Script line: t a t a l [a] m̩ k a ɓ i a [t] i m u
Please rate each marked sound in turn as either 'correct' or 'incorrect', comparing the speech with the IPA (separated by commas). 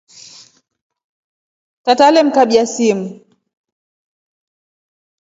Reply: incorrect, incorrect